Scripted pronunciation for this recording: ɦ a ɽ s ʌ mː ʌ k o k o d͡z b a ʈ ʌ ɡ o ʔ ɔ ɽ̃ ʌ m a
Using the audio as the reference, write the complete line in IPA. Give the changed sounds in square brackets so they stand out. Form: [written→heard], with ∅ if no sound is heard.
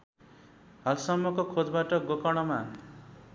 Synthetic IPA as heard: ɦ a [ɽ→l] s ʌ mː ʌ k o [k→kʰ] o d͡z b a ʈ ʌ ɡ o [ʔ→k] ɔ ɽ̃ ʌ m a